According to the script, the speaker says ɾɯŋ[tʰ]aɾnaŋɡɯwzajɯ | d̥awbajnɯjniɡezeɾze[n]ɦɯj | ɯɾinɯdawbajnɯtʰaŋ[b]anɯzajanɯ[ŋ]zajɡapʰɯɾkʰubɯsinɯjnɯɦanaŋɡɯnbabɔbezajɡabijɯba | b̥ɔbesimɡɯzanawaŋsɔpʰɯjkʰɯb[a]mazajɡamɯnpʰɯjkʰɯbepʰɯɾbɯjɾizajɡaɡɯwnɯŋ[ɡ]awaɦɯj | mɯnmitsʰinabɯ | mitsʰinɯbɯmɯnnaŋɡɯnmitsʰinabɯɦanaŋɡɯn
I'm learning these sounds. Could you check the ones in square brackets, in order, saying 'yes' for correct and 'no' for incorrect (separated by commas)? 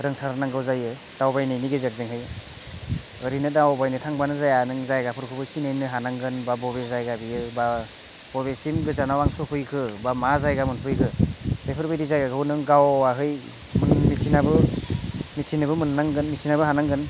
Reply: yes, no, yes, yes, yes, yes